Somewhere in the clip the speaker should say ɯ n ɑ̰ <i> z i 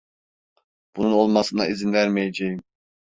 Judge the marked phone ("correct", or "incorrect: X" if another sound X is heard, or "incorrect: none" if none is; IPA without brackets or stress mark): correct